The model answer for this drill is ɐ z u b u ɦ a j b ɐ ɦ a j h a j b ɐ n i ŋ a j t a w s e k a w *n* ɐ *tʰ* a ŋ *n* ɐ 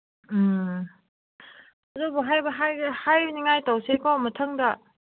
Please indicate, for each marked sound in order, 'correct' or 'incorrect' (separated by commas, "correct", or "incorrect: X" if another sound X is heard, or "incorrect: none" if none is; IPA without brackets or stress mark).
incorrect: m, correct, incorrect: d